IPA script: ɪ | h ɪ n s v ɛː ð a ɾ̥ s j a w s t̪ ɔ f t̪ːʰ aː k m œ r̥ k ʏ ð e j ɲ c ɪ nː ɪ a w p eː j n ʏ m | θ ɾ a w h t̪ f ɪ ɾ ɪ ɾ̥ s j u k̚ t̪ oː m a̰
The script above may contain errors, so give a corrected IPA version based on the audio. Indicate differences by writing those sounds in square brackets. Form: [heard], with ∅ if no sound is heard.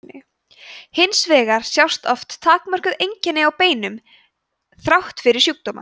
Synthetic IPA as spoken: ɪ | h ɪ n s v ɛː [ɣ] a ɾ̥ s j a w s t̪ ɔ f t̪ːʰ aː k m œ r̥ k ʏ ð e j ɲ c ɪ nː ɪ a w p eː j n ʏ m | θ ɾ a w h t̪ f ɪ ɾ ɪ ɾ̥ s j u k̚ t̪ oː m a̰